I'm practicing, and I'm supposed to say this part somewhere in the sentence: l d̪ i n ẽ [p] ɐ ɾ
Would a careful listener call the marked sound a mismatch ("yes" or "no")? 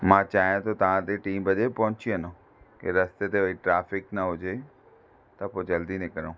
yes